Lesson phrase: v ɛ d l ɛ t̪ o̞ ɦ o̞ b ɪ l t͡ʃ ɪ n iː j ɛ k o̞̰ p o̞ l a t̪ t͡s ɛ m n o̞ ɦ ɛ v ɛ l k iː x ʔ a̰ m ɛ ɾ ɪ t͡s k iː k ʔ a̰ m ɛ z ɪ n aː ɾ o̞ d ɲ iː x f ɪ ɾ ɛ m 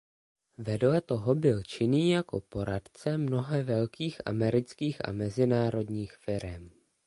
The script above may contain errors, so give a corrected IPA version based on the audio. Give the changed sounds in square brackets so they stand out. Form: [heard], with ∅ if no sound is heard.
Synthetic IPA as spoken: v ɛ d l ɛ t̪ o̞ ɦ o̞ b ɪ l t͡ʃ ɪ n iː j [a] k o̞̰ p o̞ [ɾ] a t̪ t͡s ɛ m n o̞ ɦ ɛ v ɛ l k iː x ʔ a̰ m ɛ ɾ ɪ t͡s k iː [x] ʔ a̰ m ɛ z ɪ n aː ɾ o̞ d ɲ iː x f ɪ ɾ ɛ m